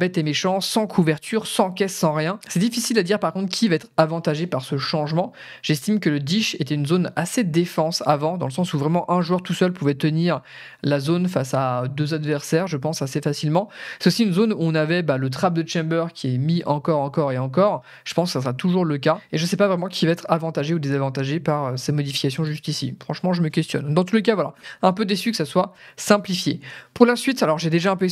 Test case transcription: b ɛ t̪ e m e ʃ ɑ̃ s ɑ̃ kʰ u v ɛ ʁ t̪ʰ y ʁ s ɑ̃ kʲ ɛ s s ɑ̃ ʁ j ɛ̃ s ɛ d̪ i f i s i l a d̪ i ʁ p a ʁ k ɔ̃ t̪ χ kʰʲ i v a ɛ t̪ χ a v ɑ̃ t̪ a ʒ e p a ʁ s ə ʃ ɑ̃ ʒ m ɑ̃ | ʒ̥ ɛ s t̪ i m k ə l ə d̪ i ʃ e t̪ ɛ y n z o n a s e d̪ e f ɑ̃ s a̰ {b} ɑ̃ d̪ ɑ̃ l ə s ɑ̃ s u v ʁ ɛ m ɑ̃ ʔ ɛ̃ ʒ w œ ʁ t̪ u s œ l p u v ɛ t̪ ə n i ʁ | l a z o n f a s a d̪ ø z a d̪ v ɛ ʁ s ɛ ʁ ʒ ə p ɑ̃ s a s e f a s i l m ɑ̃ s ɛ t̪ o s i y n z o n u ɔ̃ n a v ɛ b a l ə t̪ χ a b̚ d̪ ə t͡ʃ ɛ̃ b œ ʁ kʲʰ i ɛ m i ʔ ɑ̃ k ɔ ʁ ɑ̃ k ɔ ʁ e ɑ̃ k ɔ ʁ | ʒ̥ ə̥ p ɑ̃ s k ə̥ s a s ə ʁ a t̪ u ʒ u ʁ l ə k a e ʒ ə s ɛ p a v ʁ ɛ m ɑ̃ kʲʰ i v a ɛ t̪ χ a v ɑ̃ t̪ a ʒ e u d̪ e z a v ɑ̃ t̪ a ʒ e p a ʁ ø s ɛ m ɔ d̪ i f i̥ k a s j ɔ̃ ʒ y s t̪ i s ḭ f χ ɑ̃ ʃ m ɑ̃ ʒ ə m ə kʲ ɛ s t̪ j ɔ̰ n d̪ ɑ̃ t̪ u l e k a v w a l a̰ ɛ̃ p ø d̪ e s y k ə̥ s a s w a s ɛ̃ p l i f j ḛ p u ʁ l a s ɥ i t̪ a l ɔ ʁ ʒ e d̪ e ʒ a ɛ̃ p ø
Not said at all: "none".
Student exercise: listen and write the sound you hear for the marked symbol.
v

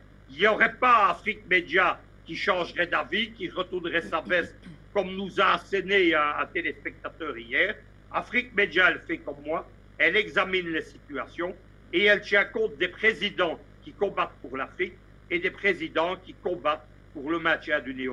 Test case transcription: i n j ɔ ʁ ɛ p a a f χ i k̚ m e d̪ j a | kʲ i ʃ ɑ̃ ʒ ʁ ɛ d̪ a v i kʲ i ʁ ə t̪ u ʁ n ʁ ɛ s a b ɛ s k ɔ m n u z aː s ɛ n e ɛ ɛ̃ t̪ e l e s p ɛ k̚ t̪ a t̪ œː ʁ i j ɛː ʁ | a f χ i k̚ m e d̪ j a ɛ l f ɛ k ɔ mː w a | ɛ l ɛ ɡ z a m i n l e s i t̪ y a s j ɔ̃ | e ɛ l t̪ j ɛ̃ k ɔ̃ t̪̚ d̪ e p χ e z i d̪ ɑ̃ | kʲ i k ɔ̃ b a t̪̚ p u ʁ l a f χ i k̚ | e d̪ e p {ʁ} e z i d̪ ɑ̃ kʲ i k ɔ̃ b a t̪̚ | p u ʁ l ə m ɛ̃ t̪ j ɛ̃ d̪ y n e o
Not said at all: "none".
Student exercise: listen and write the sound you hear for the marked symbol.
χ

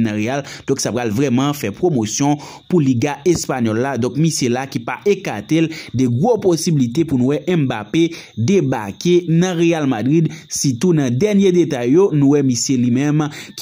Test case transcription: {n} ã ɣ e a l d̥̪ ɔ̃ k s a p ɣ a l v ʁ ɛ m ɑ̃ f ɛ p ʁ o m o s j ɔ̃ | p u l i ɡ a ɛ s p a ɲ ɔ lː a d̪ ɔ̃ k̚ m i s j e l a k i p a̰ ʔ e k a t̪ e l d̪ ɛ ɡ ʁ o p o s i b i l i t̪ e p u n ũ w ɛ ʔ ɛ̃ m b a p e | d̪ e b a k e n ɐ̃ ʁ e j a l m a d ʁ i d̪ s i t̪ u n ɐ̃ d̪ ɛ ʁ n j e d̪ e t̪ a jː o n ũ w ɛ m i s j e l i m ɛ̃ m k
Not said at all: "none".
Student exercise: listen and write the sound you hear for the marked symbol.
n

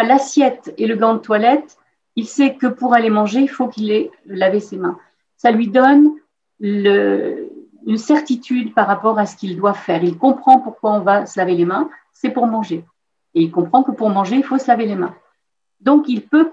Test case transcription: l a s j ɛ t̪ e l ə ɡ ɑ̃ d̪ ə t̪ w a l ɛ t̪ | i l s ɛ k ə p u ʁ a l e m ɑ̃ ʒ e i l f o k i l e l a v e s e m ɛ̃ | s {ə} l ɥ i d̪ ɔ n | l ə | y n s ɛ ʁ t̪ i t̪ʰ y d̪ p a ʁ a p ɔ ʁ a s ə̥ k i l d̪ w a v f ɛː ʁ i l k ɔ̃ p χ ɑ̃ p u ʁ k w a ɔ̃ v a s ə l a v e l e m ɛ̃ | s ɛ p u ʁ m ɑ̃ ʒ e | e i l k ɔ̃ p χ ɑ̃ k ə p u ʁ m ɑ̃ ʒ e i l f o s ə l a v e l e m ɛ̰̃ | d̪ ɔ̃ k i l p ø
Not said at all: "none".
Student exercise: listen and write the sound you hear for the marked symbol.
a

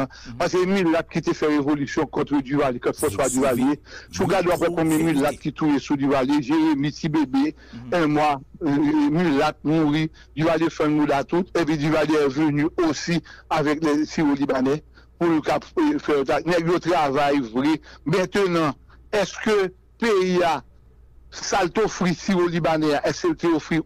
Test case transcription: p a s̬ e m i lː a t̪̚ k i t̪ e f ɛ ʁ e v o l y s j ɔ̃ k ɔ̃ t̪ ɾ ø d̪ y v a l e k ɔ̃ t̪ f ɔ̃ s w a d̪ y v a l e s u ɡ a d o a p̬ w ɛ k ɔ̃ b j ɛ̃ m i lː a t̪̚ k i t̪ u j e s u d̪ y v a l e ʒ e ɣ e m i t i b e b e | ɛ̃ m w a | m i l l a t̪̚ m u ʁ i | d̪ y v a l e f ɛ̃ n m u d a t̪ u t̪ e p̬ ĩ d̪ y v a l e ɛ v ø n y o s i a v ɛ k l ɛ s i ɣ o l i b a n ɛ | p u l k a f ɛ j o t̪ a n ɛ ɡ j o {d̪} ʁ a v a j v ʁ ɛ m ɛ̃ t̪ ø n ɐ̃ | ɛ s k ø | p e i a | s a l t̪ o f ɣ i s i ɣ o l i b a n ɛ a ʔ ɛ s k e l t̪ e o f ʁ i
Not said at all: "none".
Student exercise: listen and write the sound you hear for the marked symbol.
t̪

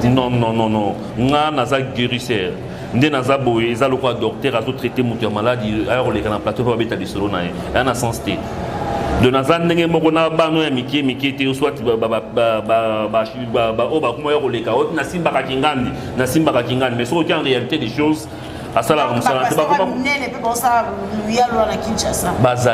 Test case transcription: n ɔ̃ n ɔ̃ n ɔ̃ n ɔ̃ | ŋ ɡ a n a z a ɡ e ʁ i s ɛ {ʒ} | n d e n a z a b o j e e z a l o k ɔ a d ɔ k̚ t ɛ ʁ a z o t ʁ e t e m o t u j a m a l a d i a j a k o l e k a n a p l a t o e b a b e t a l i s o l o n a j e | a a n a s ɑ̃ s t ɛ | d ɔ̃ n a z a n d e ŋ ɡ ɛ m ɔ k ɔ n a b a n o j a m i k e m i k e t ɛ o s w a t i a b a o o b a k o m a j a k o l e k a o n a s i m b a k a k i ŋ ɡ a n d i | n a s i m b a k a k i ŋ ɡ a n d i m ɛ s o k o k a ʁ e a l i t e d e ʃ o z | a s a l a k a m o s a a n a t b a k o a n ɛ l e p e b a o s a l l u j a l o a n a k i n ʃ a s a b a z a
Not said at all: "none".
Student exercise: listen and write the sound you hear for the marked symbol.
ʁ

